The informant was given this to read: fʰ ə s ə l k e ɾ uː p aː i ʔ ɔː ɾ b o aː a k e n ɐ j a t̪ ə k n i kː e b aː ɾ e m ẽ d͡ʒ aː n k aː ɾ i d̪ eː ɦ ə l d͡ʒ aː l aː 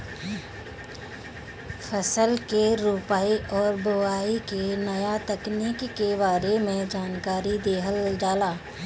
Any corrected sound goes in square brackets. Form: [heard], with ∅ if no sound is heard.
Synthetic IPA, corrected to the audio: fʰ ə s ə l k e ɾ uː p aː i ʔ ɔː ɾ b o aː [i] k e n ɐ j a t̪ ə k n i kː e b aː ɾ e m ẽ d͡ʒ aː n k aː ɾ i d̪ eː ɦ ə l d͡ʒ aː l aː